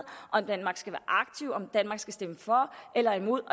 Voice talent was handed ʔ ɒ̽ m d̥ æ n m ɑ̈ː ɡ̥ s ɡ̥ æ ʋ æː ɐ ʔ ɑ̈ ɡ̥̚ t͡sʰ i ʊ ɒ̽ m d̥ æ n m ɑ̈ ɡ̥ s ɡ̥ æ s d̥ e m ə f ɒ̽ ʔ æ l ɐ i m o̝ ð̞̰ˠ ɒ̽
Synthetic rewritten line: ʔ ɒ̽ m d̥ æ n m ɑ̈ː ɡ̥ s ɡ̥ æ ʋ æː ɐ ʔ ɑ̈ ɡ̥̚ t͡sʰ i ʊ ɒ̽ m d̥ æ n m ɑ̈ ɡ̥ s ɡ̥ æ s d̥ e m ə f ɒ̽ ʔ e l ɐ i m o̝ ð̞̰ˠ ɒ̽